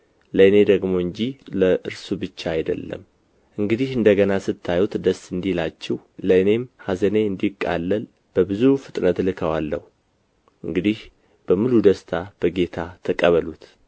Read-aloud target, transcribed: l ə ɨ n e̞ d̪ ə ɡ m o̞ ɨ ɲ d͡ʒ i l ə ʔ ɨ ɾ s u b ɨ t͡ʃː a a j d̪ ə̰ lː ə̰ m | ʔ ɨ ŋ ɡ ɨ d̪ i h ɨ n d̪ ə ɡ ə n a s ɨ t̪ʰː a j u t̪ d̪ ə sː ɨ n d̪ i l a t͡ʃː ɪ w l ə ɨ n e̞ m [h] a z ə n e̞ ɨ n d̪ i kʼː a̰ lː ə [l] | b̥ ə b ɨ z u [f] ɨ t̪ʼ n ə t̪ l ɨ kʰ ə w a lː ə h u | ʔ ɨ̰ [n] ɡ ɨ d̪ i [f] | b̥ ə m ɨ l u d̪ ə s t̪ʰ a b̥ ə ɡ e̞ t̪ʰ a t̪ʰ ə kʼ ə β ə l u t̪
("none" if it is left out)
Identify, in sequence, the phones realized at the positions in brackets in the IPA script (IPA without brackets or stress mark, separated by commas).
h, l, f, ŋ, h